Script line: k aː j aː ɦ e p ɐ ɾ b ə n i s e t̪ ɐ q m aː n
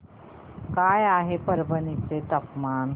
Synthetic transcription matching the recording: k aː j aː ɦ e p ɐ ɾ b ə n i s e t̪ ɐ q m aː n

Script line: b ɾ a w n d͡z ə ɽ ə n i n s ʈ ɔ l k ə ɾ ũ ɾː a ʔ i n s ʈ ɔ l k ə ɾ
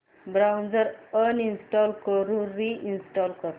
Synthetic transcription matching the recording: b ɾ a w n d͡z ə ɾ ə n i n s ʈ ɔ l k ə ɾ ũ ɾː i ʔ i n s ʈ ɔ l k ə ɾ

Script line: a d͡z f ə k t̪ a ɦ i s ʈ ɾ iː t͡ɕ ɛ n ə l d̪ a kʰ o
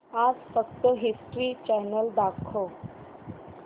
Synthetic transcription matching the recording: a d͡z f ə k t̪ ə ɦ i s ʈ ɾ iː t͡ɕ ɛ n ə l d̪ a kʰ o

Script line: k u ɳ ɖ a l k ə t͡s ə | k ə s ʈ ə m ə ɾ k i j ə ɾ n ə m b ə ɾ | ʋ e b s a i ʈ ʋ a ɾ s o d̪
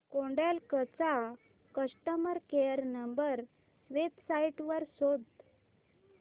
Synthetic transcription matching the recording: k o ɳ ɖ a l k ə t͡s a | k ə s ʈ ə m ə ɾ k e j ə ɾ n ə m b ə ɾ | ʋ e b s a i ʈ ʋ ə ɾ s o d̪

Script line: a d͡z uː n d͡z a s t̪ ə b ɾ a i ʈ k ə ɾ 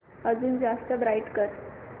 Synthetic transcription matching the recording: ə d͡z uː n d͡z a s t̪ ə b ɾ a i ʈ k ə ɾ

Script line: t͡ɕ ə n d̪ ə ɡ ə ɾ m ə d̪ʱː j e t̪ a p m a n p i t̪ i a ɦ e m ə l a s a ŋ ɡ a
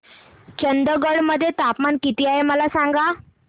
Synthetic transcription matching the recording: t͡ɕ ə n d̪ ə ɡ ə ɽ m ə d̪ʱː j e t̪ a p m a n k i t̪ i a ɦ e m ə l a s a ŋ ɡ a

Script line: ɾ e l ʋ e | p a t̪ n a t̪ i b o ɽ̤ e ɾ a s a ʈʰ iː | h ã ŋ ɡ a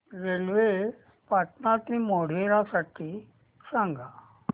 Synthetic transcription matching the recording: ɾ e l ʋ e | p a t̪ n a t̪ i m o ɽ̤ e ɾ a s a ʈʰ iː | s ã ŋ ɡ a

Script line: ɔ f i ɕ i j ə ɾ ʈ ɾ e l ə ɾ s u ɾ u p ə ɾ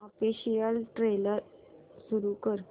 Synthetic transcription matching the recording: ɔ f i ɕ i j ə l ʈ ɾ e l ə ɾ s u ɾ u k ə ɾ

